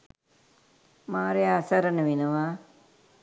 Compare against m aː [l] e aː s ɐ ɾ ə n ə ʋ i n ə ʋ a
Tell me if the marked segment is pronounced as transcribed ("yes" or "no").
no